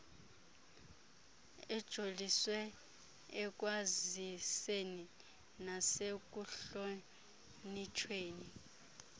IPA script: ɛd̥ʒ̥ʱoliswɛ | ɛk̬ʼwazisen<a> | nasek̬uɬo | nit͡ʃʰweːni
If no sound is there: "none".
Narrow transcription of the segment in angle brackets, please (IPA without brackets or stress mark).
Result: i